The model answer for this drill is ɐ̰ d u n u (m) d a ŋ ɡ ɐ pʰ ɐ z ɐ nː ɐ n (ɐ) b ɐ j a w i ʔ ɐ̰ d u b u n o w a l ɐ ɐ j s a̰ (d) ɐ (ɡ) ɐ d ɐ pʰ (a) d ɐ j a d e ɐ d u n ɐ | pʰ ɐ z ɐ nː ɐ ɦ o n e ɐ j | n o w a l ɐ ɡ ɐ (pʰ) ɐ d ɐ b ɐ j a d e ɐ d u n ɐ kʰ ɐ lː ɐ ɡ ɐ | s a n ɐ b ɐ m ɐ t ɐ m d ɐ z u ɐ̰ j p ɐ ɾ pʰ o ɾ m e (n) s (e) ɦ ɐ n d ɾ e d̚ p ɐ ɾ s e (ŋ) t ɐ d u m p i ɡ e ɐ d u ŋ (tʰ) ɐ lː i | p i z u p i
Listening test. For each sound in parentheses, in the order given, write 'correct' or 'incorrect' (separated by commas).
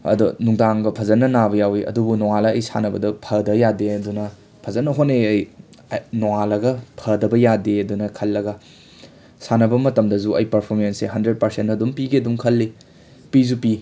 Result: incorrect, incorrect, incorrect, incorrect, incorrect, correct, correct, correct, incorrect, incorrect